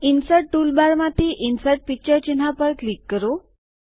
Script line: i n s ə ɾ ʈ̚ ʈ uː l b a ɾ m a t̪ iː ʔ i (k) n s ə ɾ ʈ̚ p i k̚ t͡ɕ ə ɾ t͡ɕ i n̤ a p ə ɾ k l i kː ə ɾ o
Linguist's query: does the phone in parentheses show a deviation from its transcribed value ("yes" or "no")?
yes